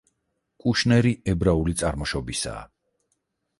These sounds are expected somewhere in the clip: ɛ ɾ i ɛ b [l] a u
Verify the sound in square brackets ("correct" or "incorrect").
incorrect